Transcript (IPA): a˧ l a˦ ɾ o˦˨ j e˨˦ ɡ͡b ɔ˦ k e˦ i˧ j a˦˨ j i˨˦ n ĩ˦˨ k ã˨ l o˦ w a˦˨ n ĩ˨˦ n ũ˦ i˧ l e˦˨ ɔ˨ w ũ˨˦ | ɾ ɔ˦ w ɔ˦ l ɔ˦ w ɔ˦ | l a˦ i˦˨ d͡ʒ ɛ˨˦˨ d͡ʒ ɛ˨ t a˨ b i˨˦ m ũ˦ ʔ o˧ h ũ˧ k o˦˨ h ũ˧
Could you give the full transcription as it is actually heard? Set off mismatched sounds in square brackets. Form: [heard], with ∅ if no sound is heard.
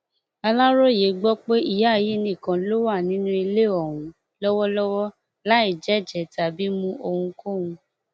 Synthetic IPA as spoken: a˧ l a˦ ɾ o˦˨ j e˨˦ ɡ͡b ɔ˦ [k͡p] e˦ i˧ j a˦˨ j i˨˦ n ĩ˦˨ k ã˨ l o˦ w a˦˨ n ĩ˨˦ n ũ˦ i˧ l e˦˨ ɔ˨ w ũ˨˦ | [l] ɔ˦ w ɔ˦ l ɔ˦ w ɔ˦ | l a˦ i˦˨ d͡ʒ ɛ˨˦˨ d͡ʒ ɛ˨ t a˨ b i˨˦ m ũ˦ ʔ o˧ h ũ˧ k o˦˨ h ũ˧